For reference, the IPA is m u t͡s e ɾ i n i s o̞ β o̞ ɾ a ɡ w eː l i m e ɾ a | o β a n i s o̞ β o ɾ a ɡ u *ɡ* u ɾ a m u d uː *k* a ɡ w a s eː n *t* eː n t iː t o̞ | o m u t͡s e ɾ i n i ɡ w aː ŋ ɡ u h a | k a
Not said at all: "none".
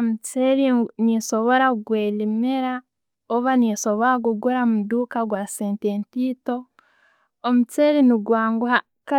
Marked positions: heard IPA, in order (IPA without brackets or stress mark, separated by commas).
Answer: ɡ, k, t